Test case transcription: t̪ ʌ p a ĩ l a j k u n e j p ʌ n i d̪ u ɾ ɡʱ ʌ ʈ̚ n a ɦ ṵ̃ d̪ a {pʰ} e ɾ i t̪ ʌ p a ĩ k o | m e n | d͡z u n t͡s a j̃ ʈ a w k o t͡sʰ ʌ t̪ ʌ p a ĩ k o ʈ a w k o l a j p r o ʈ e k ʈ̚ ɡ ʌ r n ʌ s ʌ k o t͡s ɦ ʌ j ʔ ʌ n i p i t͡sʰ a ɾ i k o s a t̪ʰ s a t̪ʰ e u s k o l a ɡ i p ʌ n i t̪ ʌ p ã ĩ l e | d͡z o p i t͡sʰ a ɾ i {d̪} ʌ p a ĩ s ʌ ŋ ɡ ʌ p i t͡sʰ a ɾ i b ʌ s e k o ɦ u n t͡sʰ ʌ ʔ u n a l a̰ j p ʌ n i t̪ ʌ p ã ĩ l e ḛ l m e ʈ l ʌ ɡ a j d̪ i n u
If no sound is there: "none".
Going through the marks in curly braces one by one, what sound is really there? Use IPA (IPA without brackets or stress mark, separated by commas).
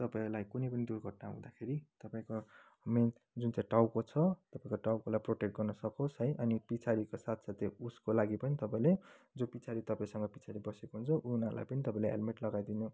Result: kʰ, t̪